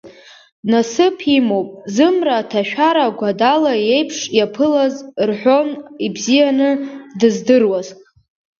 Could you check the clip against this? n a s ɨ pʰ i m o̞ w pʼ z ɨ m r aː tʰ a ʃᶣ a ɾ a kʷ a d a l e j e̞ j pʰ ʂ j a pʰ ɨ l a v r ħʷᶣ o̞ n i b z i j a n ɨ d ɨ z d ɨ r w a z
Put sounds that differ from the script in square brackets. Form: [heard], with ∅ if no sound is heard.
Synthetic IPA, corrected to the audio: n a s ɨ pʰ i m o̞ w pʼ z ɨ m r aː tʰ a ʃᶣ a ɾ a [ɡʷ] a d a l [a] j e̞ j pʰ ʂ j a pʰ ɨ l a [z] r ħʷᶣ o̞ n i b z i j a n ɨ d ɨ z d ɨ r w a z